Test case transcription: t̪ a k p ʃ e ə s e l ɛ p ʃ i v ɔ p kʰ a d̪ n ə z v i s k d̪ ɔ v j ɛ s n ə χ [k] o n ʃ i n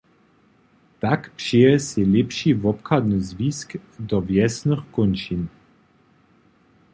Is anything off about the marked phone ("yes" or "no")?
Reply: no